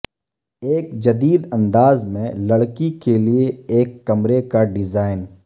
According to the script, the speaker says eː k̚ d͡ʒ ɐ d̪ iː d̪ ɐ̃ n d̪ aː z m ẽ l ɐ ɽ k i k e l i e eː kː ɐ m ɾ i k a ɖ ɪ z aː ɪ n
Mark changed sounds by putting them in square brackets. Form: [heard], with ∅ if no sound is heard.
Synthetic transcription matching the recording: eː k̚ d͡ʒ ɐ d̪ iː d̪ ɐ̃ n d̪ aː z m ẽ l ɐ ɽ k i k e l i e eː kː ɐ m ɾ [e] k a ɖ ɪ z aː ɪ n